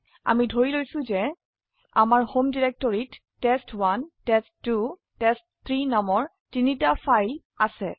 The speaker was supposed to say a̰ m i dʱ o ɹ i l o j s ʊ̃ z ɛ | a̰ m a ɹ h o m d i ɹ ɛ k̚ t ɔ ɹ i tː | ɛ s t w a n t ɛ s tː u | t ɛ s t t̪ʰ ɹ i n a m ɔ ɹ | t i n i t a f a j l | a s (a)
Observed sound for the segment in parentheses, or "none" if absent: ɛ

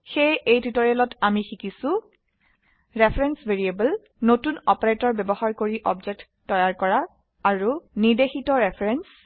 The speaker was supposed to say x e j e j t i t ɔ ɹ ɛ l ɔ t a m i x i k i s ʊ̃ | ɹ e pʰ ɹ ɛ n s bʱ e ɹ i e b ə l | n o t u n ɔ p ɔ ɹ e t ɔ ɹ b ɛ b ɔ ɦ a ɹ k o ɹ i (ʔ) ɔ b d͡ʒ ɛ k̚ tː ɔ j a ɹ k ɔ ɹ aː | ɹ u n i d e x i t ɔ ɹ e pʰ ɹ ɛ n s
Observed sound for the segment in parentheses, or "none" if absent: ʔ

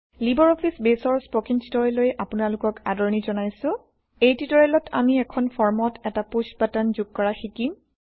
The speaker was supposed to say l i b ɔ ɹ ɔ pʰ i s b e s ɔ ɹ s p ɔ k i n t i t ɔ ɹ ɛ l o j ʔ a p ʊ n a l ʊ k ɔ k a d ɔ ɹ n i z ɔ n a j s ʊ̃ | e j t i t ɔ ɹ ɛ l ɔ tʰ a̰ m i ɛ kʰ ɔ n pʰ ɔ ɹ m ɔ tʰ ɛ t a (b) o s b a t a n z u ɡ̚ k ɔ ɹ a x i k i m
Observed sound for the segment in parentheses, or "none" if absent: p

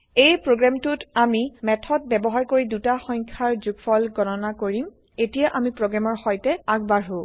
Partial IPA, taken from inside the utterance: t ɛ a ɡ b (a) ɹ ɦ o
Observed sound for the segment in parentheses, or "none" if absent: a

